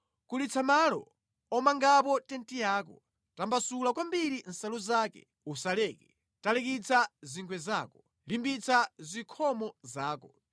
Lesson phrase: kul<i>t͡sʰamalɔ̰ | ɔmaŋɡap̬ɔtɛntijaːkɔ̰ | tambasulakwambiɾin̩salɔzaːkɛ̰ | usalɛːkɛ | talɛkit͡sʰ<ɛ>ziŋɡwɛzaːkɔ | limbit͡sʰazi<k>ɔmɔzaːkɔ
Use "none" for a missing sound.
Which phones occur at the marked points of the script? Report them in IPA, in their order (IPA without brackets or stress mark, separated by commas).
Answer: i, a, kʰ